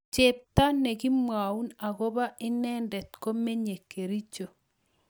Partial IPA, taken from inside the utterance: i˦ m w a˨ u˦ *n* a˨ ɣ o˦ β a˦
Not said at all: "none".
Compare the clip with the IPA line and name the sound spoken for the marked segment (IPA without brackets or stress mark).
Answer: n